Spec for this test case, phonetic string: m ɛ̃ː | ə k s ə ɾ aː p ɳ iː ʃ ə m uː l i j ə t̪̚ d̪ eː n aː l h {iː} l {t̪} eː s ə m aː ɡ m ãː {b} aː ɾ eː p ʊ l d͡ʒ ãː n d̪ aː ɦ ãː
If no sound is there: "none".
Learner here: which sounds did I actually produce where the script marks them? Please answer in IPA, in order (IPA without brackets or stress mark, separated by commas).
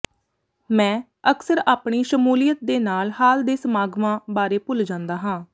aː, d̪, b